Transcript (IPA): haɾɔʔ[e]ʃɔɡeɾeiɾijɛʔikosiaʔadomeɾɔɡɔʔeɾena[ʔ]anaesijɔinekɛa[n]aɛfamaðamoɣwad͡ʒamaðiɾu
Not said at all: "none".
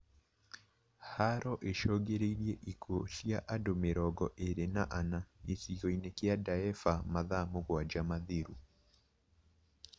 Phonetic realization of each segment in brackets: e, ʔ, d

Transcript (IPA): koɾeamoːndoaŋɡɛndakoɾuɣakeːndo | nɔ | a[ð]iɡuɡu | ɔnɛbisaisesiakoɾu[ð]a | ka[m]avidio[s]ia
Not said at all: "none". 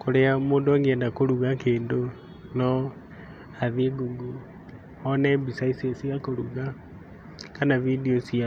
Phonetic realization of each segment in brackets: ð, ɣ, n, s

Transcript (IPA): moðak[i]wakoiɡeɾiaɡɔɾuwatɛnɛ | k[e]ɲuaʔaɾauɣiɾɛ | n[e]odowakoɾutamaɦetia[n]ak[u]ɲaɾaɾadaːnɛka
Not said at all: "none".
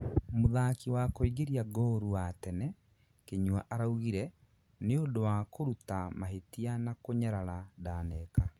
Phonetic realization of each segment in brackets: i, e, e, n, o

